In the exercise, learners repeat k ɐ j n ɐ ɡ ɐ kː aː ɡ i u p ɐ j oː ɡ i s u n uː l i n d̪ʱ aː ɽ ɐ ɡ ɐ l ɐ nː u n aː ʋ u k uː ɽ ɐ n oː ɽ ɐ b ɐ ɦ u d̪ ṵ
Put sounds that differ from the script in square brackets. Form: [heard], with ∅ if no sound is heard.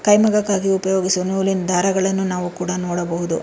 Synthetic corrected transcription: k ɐ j [m] ɐ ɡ ɐ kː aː ɡ i u p ɐ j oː ɡ i s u n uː l i n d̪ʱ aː [ɾ] ɐ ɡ ɐ [ɭ] ɐ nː u n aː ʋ u k uː ɽ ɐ n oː ɽ ɐ b ɐ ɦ u d̪ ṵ